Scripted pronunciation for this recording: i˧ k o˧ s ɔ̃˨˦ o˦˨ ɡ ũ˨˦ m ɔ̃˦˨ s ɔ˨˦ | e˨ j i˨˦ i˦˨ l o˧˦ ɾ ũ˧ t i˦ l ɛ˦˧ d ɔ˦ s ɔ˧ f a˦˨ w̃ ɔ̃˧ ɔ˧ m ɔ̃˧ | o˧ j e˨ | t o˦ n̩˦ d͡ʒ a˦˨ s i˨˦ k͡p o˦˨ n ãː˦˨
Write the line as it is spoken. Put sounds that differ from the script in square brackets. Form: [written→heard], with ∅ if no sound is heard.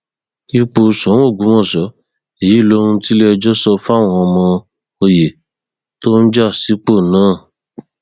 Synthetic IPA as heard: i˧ [k→k͡p] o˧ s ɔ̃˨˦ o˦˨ ɡ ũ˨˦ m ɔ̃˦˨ s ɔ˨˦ | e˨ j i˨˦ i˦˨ l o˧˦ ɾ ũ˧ t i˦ l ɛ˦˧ [d→d͡ʒ] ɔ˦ s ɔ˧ f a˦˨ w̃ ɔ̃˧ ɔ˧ m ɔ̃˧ | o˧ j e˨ | t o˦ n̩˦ d͡ʒ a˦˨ s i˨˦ k͡p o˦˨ n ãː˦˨